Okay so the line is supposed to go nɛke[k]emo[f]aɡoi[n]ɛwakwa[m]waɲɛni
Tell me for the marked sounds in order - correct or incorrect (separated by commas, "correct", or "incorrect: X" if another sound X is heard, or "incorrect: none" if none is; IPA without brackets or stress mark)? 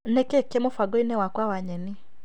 correct, correct, correct, incorrect: none